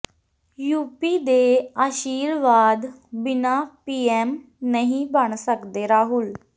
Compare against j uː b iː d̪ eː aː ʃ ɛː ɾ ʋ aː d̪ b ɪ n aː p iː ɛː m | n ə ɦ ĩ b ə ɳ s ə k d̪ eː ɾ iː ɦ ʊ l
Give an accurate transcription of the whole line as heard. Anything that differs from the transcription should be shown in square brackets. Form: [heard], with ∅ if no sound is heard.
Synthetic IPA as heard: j uː [p] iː d̪ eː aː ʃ [iː] ɾ ʋ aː d̪ b ɪ n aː p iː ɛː m | n ə ɦ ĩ b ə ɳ s ə k d̪ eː ɾ [aː] ɦ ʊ l

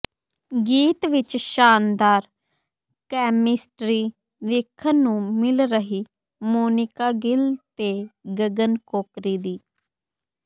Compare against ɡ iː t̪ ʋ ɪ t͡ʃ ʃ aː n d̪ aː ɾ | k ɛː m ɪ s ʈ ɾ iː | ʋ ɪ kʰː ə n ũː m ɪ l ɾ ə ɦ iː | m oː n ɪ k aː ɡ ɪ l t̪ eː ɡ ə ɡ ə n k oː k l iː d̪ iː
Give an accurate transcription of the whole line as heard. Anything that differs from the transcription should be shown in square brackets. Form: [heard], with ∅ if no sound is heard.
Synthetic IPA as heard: ɡ iː t̪ ʋ ɪ t͡ʃ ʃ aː n d̪ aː ɾ | k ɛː m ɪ s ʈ ɾ iː | ʋ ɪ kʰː ə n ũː m ɪ l ɾ ə ɦ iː | m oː n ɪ k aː ɡ ɪ l t̪ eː ɡ ə ɡ ə n k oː k [ɾ] iː d̪ iː

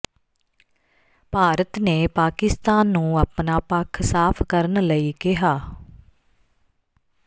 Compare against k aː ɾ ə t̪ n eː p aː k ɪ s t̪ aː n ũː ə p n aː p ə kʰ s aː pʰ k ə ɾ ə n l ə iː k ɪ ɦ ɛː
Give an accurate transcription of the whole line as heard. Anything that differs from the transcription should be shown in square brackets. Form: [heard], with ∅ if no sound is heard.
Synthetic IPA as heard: [p] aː ɾ ə t̪ n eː p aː k ɪ s t̪ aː [nː] ũː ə p n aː p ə kʰ s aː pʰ k ə ɾ ə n l ə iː k ɪ ɦ [aː]

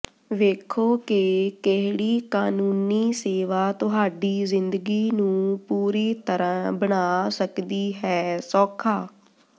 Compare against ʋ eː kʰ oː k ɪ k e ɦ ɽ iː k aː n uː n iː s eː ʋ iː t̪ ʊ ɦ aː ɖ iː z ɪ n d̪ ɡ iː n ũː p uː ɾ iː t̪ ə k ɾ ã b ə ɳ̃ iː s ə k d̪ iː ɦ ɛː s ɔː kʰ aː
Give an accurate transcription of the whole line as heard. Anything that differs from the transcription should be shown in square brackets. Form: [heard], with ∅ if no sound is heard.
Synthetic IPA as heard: ʋ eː kʰ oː k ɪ k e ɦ ɽ iː k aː n uː n iː s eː ʋ [aː] t̪ ʊ ɦ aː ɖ iː z ɪ n d̪ ɡ iː n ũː p uː ɾ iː t̪ ə [∅] ɾ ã b ə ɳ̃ [aː] s ə k d̪ iː ɦ ɛː s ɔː kʰ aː

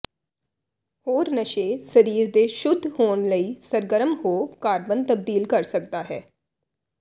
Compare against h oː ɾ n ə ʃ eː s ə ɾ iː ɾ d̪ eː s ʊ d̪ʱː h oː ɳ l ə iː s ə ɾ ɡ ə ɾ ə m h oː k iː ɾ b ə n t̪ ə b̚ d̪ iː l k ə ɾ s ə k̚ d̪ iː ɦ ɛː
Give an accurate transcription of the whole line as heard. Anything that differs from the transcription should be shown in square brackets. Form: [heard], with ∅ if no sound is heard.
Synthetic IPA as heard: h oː ɾ n ə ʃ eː s ə ɾ iː ɾ d̪ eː [ʃ] ʊ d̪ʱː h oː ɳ l ə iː s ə ɾ ɡ ə ɾ ə m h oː k [aː] ɾ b ə n t̪ ə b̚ d̪ iː l k ə ɾ s ə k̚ d̪ [aː] ɦ ɛː

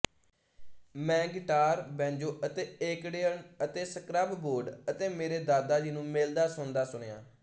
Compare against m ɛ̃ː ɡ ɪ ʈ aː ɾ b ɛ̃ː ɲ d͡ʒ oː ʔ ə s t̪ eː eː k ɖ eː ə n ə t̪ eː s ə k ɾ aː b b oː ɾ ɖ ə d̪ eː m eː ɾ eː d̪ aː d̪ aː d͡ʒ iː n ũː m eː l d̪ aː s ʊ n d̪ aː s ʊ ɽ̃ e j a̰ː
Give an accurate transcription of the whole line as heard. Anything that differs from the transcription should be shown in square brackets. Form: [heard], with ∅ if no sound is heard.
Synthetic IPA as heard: m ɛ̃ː ɡ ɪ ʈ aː ɾ b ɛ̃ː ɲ d͡ʒ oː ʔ ə [∅] t̪ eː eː k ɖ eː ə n ə t̪ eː s ə k ɾ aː b b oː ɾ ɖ ə [t̪] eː m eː ɾ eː d̪ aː d̪ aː d͡ʒ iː n ũː m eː l d̪ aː s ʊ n d̪ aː s ʊ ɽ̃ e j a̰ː

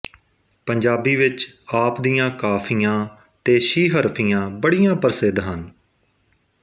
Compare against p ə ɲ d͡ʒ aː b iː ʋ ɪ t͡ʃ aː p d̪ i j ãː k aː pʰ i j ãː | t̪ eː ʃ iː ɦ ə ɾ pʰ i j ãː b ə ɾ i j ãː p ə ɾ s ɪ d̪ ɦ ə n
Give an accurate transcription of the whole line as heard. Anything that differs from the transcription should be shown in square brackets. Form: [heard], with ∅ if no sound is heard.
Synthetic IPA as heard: p ə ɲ d͡ʒ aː b iː ʋ ɪ t͡ʃ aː p d̪ i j ãː k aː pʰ i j ãː | t̪ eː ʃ iː ɦ ə ɾ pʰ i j ãː b ə [ɽ] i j ãː p ə ɾ s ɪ d̪ ɦ ə n

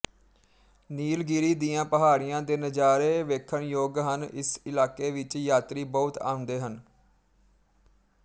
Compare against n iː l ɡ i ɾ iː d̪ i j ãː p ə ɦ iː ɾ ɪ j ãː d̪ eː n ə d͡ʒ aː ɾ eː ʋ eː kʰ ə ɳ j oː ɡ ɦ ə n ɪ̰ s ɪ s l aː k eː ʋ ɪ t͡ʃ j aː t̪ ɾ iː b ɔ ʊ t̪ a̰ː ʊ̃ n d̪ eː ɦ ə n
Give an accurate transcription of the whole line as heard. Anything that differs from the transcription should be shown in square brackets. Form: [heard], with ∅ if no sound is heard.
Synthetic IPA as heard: n iː l ɡ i ɾ iː d̪ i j ãː p ə ɦ [aː] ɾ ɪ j ãː d̪ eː n ə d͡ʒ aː ɾ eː ʋ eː kʰ ə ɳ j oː ɡ ɦ ə n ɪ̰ s ɪ [∅] l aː k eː ʋ ɪ t͡ʃ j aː t̪ ɾ iː b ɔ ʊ t̪ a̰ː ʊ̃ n d̪ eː ɦ ə n

